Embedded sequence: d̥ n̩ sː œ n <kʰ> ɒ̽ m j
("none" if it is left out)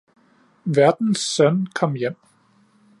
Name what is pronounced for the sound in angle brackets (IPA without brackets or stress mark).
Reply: kʰ